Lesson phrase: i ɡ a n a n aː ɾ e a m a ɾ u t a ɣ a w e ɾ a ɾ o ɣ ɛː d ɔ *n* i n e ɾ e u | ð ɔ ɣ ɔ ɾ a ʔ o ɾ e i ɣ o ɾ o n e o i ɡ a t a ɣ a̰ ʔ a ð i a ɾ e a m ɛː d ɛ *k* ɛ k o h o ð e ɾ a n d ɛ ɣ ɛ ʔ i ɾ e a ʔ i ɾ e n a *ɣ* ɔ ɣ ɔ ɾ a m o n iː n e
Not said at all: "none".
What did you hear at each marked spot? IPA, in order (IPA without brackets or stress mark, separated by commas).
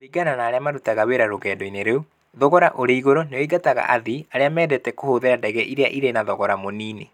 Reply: none, t, ð